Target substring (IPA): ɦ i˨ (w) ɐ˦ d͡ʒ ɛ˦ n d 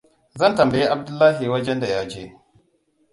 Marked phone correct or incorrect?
correct